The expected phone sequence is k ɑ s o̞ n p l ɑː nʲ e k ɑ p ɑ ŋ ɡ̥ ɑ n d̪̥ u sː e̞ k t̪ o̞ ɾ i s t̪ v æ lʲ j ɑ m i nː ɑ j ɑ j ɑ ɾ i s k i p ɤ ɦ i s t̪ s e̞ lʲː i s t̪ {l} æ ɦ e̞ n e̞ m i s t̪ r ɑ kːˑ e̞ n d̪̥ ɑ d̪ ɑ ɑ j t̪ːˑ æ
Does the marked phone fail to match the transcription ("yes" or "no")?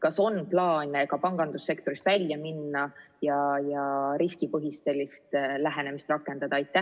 no